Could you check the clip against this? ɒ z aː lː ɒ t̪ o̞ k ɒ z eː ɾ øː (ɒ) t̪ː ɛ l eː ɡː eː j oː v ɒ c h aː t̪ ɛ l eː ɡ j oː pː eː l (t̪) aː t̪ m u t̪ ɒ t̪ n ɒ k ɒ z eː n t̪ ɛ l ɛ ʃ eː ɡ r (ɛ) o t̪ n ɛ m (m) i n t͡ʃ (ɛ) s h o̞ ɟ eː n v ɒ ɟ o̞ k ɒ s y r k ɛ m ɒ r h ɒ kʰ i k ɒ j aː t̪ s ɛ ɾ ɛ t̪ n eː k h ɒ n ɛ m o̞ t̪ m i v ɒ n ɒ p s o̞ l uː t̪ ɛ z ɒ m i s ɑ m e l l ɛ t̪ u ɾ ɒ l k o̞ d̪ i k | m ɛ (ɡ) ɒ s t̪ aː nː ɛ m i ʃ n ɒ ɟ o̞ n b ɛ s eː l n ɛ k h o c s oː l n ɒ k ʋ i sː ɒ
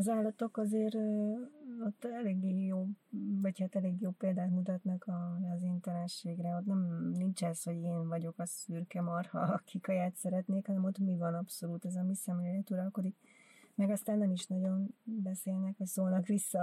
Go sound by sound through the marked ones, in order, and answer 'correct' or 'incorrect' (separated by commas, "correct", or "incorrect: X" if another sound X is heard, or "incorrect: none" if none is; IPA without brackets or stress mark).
incorrect: o, incorrect: d̪, correct, incorrect: n, correct, correct